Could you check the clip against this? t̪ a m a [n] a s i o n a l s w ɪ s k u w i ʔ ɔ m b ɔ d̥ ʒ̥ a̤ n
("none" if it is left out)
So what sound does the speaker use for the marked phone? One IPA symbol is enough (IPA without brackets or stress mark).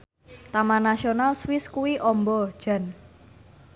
n